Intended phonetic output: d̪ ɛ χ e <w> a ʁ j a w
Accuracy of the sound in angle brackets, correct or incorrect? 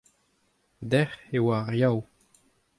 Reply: correct